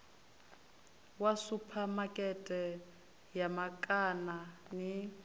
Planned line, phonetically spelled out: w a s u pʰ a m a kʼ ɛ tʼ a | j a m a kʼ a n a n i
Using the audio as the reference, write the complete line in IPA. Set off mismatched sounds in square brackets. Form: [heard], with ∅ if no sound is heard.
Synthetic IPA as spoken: w a s u pʰ a m a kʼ ɛ tʼ [ɛ] | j a m a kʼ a n a n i

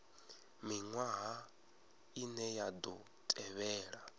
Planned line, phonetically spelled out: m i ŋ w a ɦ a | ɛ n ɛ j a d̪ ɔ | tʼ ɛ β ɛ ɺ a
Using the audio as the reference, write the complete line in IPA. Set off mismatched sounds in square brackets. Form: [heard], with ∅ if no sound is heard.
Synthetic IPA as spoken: m i ŋ w a ɦ a | [i] n ɛ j a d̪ ɔ | tʼ ɛ β [ɛː] ɺ a

